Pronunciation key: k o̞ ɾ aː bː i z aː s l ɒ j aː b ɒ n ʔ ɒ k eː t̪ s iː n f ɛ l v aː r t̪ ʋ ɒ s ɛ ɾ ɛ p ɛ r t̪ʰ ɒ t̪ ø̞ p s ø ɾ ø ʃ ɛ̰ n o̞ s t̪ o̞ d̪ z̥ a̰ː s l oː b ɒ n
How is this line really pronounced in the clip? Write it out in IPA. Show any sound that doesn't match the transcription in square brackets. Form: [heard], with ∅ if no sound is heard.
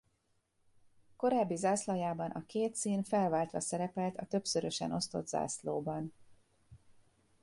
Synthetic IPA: k o̞ ɾ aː bː i z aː s l ɒ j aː b ɒ n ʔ ɒ k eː t̪ s iː n f ɛ l v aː [l] t̪ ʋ ɒ s ɛ ɾ ɛ p ɛ [l] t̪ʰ ɒ t̪ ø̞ p s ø ɾ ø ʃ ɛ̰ n o̞ s t̪ o̞ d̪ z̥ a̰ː s l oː b ɒ n